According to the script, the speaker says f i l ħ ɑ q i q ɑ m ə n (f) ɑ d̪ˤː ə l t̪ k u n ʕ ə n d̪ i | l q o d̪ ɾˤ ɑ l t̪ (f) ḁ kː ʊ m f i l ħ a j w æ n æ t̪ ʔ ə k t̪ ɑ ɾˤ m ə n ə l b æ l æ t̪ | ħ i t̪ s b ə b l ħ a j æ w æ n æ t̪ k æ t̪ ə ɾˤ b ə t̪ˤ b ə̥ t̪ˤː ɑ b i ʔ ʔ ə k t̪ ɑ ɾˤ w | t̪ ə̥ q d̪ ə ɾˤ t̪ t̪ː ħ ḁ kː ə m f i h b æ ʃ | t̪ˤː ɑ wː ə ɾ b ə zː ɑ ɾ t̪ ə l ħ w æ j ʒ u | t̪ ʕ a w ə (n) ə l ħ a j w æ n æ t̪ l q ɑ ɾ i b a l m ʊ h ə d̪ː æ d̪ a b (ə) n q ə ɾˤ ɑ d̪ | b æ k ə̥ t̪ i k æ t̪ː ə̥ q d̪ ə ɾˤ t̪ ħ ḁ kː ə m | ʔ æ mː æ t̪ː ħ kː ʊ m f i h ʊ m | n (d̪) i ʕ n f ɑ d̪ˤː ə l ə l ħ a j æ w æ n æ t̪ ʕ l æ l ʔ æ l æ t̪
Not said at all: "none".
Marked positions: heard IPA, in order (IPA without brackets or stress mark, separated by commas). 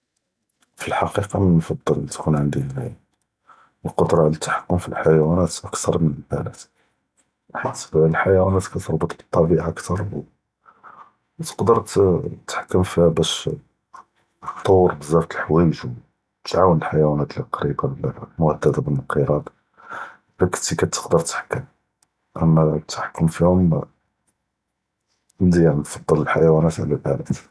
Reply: f, ħ, n, ə, d̪